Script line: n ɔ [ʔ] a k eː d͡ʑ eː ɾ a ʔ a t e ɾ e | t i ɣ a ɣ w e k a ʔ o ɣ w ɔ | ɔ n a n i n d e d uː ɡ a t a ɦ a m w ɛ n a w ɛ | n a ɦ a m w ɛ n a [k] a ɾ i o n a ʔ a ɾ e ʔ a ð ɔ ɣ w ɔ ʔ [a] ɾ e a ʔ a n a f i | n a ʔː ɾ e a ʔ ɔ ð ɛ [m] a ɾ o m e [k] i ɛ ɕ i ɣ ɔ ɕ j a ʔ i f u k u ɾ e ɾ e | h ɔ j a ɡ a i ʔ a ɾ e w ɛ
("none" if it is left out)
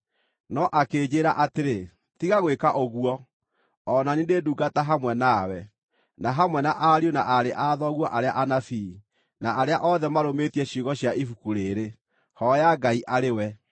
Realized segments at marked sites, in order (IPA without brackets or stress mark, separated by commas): ʔ, ʔ, a, m, t